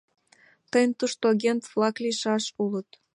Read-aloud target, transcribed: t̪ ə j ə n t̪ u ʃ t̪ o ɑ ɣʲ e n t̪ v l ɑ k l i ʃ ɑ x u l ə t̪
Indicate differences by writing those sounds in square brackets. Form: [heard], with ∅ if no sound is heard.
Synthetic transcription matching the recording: t̪ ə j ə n t̪ u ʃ t̪ o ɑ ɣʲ e n t̪ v l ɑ k l i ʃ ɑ [ʃ] u l ə t̪